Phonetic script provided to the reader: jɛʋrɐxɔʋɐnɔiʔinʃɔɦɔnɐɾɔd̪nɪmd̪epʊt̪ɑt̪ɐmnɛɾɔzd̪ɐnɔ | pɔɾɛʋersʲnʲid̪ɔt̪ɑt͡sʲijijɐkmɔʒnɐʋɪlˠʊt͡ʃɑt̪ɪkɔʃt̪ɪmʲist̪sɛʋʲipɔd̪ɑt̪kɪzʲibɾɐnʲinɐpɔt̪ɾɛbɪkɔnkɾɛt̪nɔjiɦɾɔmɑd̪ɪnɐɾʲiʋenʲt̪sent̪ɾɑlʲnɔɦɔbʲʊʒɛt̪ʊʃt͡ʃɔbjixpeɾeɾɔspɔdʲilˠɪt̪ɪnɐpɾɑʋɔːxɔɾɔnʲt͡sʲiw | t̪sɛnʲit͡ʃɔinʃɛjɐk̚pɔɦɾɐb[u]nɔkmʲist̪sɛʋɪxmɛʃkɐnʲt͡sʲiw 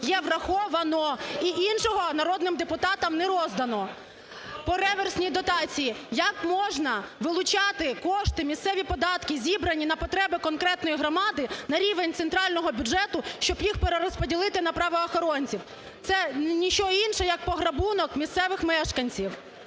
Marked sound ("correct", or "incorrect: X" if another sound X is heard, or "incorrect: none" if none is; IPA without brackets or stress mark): correct